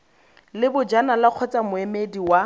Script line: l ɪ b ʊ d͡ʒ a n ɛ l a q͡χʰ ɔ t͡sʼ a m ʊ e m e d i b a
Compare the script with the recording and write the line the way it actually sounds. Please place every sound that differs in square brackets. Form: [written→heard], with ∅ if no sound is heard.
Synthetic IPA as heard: l ɪ b ʊ d͡ʒ a n [ɛ→a] l a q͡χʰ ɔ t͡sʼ a m ʊ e m e d i [b→w] a